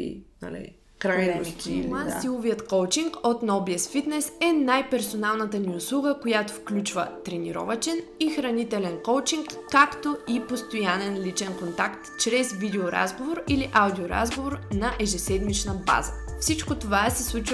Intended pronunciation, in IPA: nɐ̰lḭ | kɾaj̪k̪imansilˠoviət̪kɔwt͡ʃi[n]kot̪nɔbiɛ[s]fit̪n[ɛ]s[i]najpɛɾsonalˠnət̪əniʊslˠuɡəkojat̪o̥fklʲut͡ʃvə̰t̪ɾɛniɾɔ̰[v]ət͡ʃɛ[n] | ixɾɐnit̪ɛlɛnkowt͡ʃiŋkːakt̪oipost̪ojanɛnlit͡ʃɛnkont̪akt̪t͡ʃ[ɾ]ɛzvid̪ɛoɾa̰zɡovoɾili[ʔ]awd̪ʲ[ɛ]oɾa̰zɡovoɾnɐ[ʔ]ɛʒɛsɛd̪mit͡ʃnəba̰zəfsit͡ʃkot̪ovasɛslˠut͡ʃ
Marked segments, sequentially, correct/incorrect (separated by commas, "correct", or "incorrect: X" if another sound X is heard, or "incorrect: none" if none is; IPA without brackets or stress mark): incorrect: ŋ, correct, correct, incorrect: ɛ, correct, correct, correct, correct, incorrect: i, correct